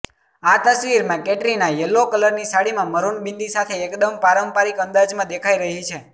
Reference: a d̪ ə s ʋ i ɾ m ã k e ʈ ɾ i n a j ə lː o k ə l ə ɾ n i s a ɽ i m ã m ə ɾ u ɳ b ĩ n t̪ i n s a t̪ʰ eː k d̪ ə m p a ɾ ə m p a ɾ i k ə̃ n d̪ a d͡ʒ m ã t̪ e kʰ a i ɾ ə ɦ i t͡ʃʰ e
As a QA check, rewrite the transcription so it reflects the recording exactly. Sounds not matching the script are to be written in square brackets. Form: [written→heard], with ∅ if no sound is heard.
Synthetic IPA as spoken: a [d̪→t̪] ə s ʋ i ɾ m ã k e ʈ ɾ i n a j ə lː o k ə l ə ɾ n i s a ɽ i m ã m ə ɾ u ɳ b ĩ n [t̪→d̪] i [n→∅] s a t̪ʰ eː k d̪ ə m p a ɾ ə m p a ɾ i k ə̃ n d̪ a d͡ʒ m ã [t̪→d̪] e kʰ a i ɾ ə ɦ i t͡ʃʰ e

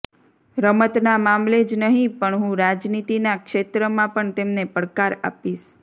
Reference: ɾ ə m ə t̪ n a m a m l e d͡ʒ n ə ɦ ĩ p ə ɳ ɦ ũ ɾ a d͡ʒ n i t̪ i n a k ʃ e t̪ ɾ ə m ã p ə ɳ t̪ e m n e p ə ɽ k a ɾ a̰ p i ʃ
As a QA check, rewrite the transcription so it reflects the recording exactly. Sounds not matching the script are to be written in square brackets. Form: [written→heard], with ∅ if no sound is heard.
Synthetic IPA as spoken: ɾ ə m ə t̪ n a m a m l e d͡ʒ n ə ɦ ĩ p ə ɳ ɦ ũ ɾ a d͡ʒ n i t̪ i n a k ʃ e t̪ ɾ ə m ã p ə ɳ t̪ e m n e p ə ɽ k a ɾ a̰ p i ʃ

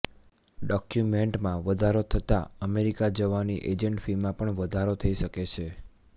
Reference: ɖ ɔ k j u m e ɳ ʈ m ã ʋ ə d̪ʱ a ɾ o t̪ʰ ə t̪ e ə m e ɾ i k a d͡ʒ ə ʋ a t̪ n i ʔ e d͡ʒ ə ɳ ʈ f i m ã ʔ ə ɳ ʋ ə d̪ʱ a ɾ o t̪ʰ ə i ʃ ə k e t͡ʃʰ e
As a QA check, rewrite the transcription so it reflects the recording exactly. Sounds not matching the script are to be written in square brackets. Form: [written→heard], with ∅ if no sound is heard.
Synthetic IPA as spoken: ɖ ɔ k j u m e ɳ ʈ m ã ʋ ə d̪ʱ a ɾ o t̪ʰ ə t̪ [e→a] ə m e ɾ i k a d͡ʒ ə ʋ a [t̪→∅] n i ʔ e d͡ʒ ə ɳ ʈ f i m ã [ʔ→p] ə ɳ ʋ ə d̪ʱ a ɾ o t̪ʰ ə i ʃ ə k e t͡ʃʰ e

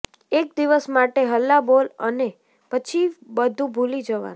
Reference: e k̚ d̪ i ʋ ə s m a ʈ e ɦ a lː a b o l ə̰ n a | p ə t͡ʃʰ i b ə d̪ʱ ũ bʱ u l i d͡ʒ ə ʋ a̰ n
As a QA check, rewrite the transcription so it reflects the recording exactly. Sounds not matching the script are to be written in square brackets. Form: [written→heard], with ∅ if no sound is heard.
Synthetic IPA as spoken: e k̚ d̪ i ʋ ə s m a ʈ e ɦ [a→ə] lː a b o l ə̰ n [a→e] | p ə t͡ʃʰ i b ə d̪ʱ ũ bʱ u l i d͡ʒ ə ʋ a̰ n

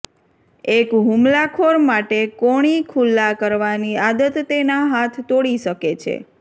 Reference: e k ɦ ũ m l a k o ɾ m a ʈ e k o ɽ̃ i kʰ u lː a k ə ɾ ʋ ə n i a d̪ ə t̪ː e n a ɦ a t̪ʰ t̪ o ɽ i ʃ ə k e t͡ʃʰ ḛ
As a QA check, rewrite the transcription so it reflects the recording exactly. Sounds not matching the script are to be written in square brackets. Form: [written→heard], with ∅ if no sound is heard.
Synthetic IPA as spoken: e k ɦ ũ m l a [k→kʰ] o ɾ m a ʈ e k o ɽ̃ i kʰ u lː a k ə ɾ ʋ [ə→a] n i a d̪ ə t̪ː e n a ɦ a t̪ʰ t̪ o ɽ i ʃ ə k e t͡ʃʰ ḛ

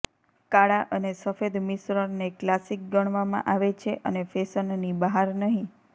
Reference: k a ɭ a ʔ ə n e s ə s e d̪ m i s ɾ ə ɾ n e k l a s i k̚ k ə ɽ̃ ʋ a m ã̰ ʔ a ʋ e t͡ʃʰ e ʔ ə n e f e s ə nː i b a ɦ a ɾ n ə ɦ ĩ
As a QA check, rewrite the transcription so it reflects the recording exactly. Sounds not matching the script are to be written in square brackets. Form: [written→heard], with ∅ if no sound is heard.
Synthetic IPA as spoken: k a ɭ a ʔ ə n e s ə [s→f] e d̪ m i s ɾ ə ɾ n e k l a s i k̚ [k→ɡ] ə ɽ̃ ʋ a m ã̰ ʔ a ʋ e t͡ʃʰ e ʔ ə n e f e s ə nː i b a ɦ a ɾ n ə ɦ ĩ

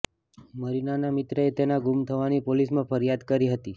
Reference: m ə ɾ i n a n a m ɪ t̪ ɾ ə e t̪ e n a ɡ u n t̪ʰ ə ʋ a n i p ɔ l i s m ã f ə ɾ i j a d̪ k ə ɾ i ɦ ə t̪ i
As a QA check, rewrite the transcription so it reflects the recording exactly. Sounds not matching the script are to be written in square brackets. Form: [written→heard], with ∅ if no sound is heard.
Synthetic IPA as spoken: m ə ɾ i n a n a m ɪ t̪ ɾ ə e t̪ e n a ɡ u [n→m] t̪ʰ ə ʋ a n i p [ɔ→o] l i s m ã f ə ɾ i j a d̪ k ə ɾ i ɦ ə t̪ i

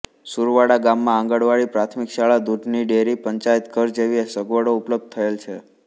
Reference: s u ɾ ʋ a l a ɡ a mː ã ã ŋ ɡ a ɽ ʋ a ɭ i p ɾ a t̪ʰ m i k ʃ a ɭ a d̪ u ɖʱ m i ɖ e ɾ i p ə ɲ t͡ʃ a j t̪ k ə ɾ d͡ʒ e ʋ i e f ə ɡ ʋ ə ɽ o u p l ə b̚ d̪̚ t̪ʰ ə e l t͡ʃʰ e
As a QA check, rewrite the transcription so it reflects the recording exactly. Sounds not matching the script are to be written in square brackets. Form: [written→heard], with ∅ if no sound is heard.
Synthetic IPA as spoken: s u ɾ ʋ a [l→ɽ] a ɡ a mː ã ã ŋ ɡ [a→ə] ɽ ʋ a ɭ i p ɾ a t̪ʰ m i k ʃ a ɭ a d̪ u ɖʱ [m→n] i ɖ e ɾ i p ə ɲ t͡ʃ a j t̪ k ə ɾ d͡ʒ e ʋ i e [f→s] ə ɡ ʋ ə ɽ o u p l ə b̚ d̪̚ t̪ʰ ə e l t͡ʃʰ e

